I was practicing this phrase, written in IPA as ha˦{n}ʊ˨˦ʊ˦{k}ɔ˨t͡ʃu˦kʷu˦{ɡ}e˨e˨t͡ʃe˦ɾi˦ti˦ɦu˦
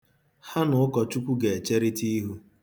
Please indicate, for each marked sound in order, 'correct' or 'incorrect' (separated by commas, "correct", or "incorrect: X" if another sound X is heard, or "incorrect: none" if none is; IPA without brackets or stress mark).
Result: correct, correct, correct